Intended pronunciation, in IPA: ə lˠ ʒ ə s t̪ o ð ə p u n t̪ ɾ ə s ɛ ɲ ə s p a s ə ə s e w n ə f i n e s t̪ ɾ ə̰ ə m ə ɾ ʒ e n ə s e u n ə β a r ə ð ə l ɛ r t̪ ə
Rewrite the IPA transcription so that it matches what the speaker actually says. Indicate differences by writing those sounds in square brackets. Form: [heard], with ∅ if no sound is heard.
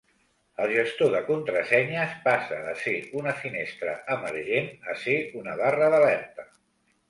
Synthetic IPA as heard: ə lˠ ʒ ə s t̪ o ð ə [k] u n t̪ ɾ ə s ɛ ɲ ə s p a s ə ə s e [u] n ə f i n e s t̪ ɾ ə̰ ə m ə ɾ ʒ e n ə s e u n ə β a r ə ð ə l ɛ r t̪ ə